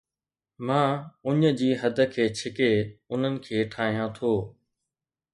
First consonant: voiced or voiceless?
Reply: voiced